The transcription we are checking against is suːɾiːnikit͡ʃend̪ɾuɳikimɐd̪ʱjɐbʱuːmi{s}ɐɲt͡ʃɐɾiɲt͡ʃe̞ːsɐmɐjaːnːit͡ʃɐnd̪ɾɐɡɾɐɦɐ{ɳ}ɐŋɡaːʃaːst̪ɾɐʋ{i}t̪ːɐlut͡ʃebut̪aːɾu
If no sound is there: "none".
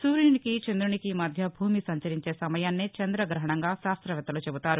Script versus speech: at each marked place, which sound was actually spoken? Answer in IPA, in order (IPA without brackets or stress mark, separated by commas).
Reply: s, ɳ, ɛ